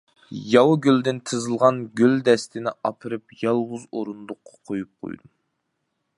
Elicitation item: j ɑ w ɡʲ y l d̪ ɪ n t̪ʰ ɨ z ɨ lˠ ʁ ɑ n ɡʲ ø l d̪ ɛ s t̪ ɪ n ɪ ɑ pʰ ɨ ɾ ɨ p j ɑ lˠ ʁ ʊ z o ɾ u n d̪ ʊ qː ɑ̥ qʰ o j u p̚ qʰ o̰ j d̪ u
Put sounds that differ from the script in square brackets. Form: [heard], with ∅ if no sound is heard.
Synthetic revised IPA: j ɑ w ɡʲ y l d̪ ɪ n t̪ʰ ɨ z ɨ lˠ ʁ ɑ n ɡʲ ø l d̪ ɛ s t̪ ɪ n ɪ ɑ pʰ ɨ ɾ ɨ p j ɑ lˠ ʁ ʊ z o ɾ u n d̪ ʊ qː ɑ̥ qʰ o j u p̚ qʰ o̰ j d̪ u